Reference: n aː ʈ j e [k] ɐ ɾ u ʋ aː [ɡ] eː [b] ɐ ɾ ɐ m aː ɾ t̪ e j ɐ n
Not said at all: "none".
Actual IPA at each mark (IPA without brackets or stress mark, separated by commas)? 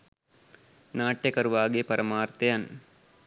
k, ɡ, p